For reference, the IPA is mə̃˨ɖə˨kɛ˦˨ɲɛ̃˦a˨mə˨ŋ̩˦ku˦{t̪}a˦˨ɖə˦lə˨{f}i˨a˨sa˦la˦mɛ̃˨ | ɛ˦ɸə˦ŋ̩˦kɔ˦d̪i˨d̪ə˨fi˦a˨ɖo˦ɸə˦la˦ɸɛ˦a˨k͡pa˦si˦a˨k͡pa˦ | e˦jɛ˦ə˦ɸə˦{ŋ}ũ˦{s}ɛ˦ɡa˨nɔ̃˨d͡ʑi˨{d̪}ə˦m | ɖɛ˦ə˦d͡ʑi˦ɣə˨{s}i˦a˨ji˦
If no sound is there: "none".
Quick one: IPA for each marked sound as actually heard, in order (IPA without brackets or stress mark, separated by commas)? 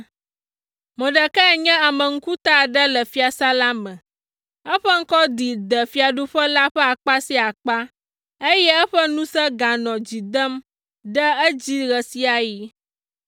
t̪, f, n, s, d̪, s